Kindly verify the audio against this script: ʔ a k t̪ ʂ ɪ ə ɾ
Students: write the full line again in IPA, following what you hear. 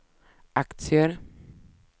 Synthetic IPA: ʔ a k t̪ s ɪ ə ɾ